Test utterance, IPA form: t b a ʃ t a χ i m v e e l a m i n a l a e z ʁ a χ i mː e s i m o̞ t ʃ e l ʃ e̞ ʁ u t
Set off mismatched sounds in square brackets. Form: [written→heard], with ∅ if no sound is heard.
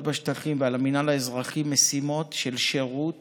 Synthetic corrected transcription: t b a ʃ t a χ i m v e [e→a] l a m i n a l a e z ʁ a χ i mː e s i m o̞ t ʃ e l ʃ e̞ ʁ u t